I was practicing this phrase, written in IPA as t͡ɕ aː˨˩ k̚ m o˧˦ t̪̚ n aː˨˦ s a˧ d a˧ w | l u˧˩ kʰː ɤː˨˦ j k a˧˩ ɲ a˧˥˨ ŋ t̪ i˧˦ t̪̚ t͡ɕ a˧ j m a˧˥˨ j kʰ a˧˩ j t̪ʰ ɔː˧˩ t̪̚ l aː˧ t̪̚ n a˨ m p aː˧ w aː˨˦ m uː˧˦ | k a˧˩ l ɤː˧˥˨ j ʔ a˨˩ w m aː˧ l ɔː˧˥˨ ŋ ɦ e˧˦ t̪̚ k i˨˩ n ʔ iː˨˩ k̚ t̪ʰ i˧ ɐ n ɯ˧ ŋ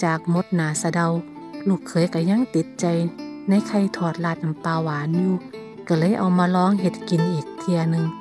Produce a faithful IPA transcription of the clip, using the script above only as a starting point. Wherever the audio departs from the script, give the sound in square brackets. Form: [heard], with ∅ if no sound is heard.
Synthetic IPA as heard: t͡ɕ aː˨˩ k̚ m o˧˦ t̪̚ n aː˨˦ s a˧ d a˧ w | l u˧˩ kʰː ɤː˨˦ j k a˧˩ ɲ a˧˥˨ ŋ t̪ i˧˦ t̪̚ t͡ɕ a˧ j [n] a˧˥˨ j kʰ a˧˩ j t̪ʰ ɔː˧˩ t̪̚ l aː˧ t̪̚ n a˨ m p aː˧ w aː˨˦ [n] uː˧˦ | k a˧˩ l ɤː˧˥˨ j ʔ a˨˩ w m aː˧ l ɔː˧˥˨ ŋ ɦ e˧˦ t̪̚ k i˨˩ n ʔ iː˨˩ k̚ t̪ʰ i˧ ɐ n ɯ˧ ŋ